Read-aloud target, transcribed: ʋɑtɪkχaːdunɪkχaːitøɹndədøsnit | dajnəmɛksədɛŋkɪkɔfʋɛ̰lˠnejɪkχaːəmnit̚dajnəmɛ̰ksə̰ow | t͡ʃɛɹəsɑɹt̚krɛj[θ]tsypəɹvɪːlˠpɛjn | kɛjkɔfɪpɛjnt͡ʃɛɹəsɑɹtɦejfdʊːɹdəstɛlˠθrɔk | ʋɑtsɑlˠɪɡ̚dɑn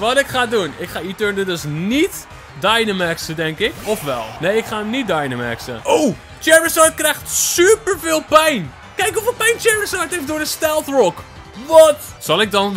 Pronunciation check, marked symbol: incorrect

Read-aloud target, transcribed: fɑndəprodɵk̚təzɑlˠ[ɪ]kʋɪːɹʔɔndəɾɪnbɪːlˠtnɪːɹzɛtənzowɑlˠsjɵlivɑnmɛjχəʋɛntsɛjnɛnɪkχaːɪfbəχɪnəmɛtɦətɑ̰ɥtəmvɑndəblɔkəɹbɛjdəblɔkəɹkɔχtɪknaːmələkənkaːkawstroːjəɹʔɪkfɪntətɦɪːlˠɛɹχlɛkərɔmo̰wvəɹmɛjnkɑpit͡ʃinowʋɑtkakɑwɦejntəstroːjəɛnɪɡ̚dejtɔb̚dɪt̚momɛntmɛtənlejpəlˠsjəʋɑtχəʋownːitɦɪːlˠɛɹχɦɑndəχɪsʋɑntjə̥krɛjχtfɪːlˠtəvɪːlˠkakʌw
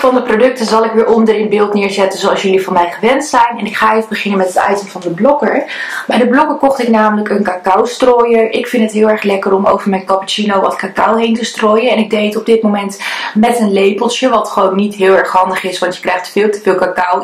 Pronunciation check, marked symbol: correct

